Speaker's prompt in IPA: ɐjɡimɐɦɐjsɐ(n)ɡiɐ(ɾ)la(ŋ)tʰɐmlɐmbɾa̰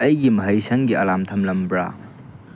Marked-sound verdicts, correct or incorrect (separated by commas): incorrect, incorrect, incorrect